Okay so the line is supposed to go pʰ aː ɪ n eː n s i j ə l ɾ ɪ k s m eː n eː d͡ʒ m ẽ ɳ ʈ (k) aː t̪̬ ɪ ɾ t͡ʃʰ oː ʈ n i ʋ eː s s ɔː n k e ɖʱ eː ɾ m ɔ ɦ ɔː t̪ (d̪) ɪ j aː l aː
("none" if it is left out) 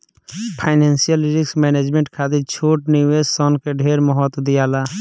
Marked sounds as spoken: kʰ, d̪

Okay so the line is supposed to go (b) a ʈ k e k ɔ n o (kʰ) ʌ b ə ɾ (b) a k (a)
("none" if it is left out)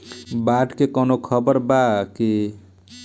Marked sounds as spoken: b, kʰ, b, i

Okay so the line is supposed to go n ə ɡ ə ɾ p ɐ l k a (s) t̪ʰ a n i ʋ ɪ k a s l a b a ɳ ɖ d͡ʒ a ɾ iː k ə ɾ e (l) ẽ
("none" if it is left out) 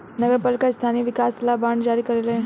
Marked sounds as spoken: s, l

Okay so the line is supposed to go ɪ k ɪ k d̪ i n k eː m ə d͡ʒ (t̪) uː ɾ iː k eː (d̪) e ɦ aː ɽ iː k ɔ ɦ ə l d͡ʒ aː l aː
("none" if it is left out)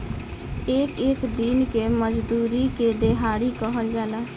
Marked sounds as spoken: d̪, d̪

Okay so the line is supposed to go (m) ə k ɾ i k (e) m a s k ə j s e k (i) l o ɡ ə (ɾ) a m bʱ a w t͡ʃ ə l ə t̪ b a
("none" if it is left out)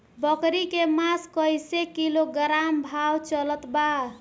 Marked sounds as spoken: b, e, i, ɾ

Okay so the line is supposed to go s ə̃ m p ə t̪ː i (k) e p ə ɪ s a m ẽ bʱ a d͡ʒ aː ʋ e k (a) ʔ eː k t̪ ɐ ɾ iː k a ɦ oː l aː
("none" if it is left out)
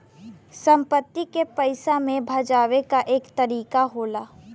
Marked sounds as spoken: k, a

